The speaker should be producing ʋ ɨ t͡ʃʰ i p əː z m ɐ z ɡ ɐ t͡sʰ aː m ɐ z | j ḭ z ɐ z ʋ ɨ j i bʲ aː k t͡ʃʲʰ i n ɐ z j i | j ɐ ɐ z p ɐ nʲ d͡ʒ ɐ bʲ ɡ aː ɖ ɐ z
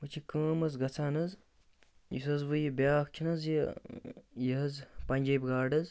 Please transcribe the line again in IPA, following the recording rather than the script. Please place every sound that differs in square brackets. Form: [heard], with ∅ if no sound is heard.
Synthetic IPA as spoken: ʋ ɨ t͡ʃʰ i [k] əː [∅] m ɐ z ɡ ɐ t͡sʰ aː [n] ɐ z | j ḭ [s] ɐ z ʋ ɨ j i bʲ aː k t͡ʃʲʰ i n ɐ z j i | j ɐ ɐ z p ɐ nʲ d͡ʒ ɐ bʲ ɡ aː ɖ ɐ z

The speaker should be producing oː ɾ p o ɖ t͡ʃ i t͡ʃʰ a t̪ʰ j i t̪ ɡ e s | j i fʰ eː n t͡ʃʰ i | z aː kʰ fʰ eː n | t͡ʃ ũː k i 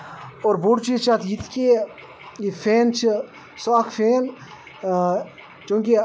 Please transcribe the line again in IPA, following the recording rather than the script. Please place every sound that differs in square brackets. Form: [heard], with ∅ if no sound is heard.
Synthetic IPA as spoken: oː ɾ [b] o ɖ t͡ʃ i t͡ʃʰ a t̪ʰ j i t̪ [k] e [∅] | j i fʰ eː n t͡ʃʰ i | [s] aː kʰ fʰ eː n | t͡ʃ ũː k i

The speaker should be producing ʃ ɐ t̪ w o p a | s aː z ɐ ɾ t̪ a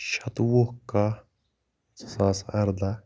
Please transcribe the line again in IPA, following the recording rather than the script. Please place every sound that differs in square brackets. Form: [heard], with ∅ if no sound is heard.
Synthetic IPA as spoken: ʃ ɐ t̪ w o [k] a | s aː [s] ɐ ɾ [d̪] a

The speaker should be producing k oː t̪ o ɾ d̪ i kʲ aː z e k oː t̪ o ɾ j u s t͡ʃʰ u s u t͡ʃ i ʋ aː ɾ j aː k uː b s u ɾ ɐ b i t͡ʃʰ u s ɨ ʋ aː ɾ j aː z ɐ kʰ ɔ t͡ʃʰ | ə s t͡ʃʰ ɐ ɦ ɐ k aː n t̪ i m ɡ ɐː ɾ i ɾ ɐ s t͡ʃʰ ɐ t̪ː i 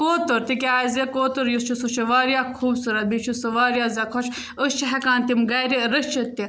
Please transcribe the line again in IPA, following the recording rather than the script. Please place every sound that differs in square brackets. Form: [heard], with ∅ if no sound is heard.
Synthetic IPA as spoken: k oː t̪ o ɾ [t̪] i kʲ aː z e k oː t̪ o ɾ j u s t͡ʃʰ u s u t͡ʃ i ʋ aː ɾ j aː [kʰ] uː b s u ɾ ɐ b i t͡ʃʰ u s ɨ ʋ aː ɾ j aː z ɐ kʰ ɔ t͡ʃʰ | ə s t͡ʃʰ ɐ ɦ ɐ k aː n t̪ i m ɡ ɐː ɾ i ɾ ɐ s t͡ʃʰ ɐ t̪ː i

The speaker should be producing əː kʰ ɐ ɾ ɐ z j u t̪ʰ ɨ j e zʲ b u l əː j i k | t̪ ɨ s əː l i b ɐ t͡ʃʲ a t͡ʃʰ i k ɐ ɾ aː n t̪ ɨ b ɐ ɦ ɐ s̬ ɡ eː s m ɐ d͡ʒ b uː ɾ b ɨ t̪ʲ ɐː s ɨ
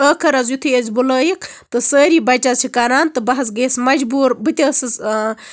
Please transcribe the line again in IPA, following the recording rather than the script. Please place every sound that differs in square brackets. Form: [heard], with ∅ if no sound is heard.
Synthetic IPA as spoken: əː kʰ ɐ ɾ ɐ z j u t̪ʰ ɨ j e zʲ b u l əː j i k | t̪ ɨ s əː [ɾ] i b ɐ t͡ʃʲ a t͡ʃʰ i k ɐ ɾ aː n t̪ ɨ b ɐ ɦ ɐ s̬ ɡ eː s m ɐ d͡ʒ b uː ɾ b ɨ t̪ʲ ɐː s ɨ

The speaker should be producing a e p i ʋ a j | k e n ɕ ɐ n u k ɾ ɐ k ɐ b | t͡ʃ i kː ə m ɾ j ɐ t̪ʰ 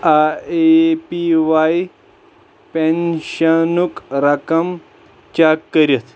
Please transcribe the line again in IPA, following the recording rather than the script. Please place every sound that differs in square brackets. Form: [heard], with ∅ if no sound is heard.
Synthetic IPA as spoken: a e p i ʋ a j | [p] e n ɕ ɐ n u k ɾ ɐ k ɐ [m] | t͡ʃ [a] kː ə [∅] ɾ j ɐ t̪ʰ

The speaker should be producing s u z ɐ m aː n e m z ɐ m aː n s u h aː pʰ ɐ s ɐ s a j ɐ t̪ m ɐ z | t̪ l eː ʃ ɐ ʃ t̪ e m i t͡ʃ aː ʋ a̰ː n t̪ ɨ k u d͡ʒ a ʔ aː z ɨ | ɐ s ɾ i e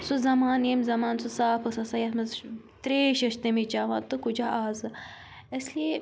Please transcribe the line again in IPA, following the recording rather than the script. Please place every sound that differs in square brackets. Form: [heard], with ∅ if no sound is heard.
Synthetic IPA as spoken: s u z ɐ m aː n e m z ɐ m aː n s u [s] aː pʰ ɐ s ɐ s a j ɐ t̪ m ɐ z | t̪ [ɾ] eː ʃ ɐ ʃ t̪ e m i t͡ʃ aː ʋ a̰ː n t̪ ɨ k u d͡ʒ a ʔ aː z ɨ | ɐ s [l] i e

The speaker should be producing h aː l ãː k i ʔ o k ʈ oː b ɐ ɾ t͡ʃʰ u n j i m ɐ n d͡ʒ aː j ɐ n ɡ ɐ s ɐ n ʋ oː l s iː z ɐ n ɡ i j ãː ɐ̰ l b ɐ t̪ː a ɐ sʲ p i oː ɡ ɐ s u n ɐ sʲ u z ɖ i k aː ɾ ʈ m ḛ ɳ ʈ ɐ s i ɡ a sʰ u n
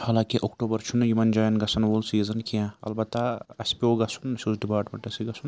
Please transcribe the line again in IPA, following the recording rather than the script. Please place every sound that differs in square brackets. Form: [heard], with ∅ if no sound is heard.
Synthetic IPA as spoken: h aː l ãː k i ʔ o k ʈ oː b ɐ ɾ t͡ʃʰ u n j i m ɐ n d͡ʒ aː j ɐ n ɡ ɐ s ɐ n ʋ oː l s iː z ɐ n [k] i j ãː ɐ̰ l b ɐ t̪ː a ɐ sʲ p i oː ɡ ɐ s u n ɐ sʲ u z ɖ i [p] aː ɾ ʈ m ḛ ɳ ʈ ɐ s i ɡ [ɐ] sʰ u n

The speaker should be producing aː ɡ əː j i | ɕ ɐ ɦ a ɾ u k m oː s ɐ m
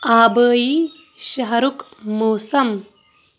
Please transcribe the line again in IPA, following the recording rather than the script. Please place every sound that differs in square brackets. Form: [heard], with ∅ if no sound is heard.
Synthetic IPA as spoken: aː [b] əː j i | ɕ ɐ ɦ [ɐ] ɾ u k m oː s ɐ m

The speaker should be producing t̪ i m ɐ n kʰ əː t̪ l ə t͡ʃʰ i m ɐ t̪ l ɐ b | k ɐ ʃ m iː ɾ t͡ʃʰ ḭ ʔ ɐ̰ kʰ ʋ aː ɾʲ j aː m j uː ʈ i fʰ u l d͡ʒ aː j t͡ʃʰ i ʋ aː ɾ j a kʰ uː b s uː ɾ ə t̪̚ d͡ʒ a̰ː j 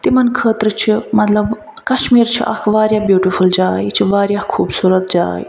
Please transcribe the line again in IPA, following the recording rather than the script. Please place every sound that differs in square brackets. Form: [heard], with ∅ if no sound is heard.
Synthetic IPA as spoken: t̪ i m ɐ n kʰ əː t̪ [ɾ] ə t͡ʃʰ i m ɐ t̪ l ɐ b | k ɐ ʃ m iː ɾ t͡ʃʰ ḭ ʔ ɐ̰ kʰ ʋ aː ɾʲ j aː [b] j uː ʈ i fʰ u l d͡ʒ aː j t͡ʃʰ i ʋ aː ɾ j a kʰ uː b s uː ɾ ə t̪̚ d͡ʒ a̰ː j

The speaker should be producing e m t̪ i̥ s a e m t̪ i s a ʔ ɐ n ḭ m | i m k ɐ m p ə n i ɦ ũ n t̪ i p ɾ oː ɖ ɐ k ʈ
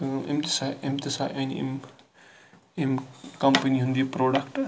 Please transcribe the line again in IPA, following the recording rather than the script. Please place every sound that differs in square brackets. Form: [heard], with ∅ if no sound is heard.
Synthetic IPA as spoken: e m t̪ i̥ s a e m t̪ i s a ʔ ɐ n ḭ m | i m k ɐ m p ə n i ɦ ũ n [d̪] i p ɾ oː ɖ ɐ k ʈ

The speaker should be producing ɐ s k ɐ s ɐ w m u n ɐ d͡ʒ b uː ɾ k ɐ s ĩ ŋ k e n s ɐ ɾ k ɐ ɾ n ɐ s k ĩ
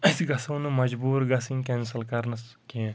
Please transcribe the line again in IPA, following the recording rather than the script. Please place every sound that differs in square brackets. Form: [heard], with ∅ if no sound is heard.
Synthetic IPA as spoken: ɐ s [ɡ] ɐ s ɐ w [n] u [m] ɐ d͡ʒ b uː ɾ [ɡ] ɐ s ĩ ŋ k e n s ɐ [l] k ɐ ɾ n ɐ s k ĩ

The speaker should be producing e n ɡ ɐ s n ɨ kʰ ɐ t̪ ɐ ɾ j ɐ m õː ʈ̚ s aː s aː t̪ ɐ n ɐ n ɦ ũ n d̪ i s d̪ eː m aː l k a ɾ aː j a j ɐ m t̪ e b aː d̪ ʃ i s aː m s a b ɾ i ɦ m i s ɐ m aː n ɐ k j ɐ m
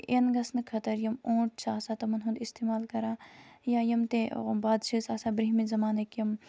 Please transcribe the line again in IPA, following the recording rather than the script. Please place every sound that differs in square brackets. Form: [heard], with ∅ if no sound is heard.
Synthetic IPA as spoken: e n ɡ ɐ s n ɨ kʰ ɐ t̪ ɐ ɾ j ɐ m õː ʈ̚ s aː s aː t̪ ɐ [m] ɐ n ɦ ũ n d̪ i s [t̪] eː m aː l k [ɐ] ɾ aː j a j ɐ m t̪ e b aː d̪ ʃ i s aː [∅] s a b ɾ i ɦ m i [z] ɐ m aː n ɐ k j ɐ m

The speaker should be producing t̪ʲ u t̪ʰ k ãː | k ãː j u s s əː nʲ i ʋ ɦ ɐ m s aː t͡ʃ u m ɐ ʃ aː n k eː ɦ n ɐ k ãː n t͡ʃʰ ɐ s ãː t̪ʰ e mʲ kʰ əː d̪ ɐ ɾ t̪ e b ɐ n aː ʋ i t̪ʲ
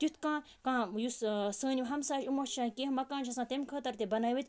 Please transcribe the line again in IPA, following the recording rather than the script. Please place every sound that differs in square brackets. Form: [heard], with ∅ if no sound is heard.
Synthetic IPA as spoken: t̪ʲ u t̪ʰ k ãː | k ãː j u s s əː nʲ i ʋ ɦ ɐ m s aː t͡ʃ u m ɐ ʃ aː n k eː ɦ [m] ɐ k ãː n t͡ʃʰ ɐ s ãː [t̪] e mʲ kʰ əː [t̪] ɐ ɾ t̪ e b ɐ n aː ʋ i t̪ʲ

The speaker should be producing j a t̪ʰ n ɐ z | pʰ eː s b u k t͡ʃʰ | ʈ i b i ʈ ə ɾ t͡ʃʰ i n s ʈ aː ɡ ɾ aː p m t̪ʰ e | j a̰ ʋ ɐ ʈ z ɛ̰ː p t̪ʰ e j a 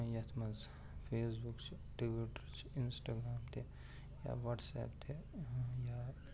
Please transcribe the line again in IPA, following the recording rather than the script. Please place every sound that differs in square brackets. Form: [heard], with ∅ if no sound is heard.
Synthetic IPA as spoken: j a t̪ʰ [m] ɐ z | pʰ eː s b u k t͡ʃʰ | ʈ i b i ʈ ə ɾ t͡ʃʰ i n s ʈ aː ɡ ɾ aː [∅] m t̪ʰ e | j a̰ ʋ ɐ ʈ [s] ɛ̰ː p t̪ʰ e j a

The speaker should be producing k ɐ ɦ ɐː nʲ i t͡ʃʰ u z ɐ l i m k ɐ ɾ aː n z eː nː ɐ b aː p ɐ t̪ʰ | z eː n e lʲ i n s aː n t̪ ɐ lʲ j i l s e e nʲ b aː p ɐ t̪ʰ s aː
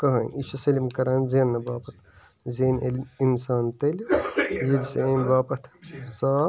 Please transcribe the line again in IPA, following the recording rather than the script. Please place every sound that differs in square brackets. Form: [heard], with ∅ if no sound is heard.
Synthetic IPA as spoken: k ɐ ɦ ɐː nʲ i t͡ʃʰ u [s] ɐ l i m k ɐ ɾ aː n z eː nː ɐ b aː p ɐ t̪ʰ | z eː n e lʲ i n s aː n t̪ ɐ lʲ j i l s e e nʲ b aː p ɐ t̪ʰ s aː

